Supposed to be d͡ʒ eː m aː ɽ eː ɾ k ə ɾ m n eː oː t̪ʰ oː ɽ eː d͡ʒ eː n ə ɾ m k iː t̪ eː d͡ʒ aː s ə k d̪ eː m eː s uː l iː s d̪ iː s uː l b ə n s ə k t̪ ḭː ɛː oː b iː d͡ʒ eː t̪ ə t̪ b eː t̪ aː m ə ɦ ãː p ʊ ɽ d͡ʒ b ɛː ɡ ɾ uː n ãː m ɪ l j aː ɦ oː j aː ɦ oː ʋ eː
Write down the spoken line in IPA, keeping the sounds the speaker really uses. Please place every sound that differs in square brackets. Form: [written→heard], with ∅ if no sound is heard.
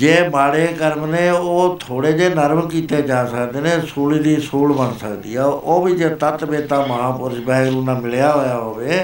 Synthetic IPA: d͡ʒ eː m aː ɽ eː [ɾ→∅] k ə ɾ m n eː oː t̪ʰ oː ɽ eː d͡ʒ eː n ə ɾ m k iː t̪ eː d͡ʒ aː s ə k d̪ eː [m→n] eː s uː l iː [s→∅] d̪ iː s uː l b ə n s ə k [t̪→d̪] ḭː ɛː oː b iː d͡ʒ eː t̪ ə t̪ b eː t̪ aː m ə ɦ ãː p ʊ [ɽ→ɾ] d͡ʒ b ɛː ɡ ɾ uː n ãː m ɪ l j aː ɦ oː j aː ɦ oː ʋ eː